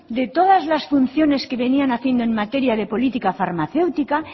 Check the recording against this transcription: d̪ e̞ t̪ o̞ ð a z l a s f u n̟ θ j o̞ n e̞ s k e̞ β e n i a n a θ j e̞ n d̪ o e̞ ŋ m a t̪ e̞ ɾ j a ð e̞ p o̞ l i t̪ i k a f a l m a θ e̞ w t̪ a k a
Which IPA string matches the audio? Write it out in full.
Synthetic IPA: d̪ e̞ t̪ o̞ ð a z l a s f u n̟ θ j o̞ n e̞ s k e̞ β e n i a n a θ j e̞ n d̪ o e̞ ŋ m a t̪ e̞ ɾ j a ð e̞ p o̞ l i t̪ i k a f a ɾ m a θ e̞ w t̪ i k a